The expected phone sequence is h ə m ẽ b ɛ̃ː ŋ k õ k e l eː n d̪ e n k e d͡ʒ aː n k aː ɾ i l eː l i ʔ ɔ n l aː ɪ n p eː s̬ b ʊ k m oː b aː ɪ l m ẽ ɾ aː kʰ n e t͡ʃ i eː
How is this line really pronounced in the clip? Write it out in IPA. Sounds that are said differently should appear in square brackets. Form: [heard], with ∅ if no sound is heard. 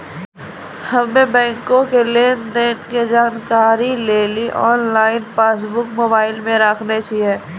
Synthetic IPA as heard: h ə m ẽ b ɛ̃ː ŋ k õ k e l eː n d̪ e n k e d͡ʒ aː n k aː ɾ i l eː l i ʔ [ɔː] n l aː ɪ n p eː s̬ b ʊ k m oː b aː ɪ l m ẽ ɾ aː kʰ n e t͡ʃ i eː